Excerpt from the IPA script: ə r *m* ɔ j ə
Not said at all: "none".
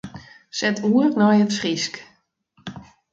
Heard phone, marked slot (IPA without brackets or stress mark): n